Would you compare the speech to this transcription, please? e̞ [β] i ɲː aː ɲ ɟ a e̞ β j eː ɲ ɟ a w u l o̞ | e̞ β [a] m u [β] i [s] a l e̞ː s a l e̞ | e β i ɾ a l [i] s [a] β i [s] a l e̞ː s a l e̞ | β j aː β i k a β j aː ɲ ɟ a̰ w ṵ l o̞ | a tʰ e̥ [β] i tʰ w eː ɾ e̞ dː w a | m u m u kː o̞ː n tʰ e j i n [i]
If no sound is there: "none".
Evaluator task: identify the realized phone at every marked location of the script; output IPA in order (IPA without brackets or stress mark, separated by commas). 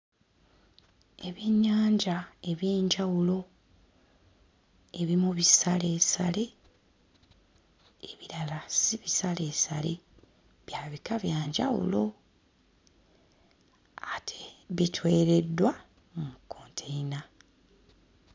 β, i, β, s, a, i, s, β, a